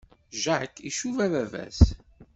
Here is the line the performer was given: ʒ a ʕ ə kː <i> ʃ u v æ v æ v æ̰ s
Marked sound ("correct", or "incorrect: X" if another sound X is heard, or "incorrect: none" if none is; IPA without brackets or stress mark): correct